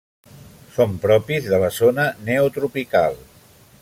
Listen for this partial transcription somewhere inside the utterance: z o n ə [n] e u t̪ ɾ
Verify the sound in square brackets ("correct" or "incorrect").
correct